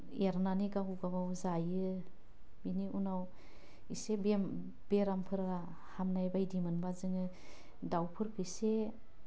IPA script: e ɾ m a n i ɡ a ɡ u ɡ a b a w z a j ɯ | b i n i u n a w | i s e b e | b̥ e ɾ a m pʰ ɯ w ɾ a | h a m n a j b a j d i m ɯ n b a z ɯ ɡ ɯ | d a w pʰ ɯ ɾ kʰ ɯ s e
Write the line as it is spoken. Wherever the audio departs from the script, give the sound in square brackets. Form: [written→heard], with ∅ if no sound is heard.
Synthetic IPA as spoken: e ɾ [m→n] a n i ɡ a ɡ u ɡ a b a w z a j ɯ | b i n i u n a w | i s e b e | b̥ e ɾ a m pʰ ɯ [w→∅] ɾ a | h a m n a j b a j d i m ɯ n b a z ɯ [ɡ→ŋ] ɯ | d a w pʰ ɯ ɾ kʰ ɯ s e